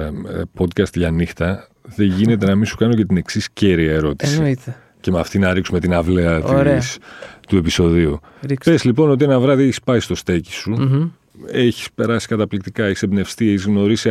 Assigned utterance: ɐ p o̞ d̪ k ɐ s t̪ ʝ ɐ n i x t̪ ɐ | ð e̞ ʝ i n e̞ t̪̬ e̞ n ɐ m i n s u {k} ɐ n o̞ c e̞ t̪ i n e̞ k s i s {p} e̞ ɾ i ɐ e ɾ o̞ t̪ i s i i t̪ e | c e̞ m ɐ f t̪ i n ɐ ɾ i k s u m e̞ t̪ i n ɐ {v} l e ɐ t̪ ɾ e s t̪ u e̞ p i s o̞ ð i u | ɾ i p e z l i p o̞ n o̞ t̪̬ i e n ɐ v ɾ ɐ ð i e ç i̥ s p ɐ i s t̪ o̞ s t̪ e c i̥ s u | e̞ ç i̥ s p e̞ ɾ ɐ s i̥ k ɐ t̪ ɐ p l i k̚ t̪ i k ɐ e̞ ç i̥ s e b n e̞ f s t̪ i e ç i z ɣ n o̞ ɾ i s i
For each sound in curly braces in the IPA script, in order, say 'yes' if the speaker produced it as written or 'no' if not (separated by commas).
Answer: yes, no, yes